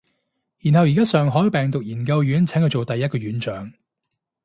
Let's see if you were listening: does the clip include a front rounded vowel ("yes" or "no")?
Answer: yes